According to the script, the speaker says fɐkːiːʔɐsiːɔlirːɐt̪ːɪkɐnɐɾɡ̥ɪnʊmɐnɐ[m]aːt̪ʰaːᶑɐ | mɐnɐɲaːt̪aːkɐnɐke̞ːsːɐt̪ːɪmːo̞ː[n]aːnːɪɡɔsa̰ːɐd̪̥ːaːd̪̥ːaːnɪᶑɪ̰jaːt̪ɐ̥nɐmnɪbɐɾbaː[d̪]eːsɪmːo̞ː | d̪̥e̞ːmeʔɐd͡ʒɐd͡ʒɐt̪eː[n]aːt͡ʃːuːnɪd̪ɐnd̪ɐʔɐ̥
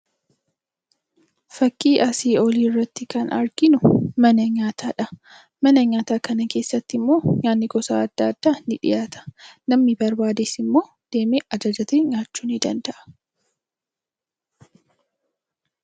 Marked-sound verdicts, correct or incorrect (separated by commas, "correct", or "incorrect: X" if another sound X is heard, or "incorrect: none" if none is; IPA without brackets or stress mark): incorrect: ɲ, incorrect: ɲ, correct, incorrect: ɲ